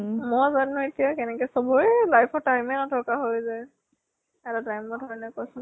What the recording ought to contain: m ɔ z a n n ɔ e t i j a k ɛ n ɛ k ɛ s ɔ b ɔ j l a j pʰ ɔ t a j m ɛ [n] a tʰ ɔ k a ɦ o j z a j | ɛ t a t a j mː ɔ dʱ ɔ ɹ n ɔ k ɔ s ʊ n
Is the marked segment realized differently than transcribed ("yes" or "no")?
no